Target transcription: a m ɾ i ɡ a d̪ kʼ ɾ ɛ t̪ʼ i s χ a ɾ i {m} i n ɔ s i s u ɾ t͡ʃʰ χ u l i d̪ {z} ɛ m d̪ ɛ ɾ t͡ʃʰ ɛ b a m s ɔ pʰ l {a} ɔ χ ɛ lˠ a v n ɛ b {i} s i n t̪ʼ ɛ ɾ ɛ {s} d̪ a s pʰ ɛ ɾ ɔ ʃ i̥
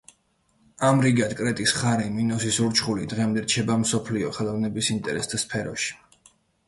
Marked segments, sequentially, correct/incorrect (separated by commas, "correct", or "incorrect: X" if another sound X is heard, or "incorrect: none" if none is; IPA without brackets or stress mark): correct, incorrect: ʁ, incorrect: i, correct, correct